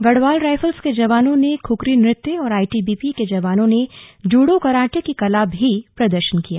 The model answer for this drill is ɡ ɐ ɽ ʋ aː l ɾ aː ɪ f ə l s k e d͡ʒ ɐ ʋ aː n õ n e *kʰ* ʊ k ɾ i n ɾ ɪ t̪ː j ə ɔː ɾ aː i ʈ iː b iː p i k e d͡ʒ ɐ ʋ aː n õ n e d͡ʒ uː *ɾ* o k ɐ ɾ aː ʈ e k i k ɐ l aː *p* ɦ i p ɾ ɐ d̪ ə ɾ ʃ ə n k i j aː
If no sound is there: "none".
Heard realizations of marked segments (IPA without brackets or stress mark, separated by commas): kʰ, ɽ, b